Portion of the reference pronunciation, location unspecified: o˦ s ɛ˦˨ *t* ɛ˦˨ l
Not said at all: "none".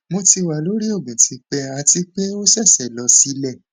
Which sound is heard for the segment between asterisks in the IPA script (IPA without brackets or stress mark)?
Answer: s